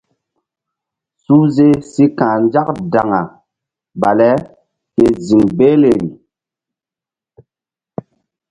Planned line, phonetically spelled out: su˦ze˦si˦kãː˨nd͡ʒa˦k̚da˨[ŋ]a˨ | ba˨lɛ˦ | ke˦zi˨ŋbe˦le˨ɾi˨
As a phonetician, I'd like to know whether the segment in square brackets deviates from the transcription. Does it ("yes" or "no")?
no